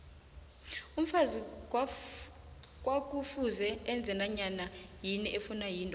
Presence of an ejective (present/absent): present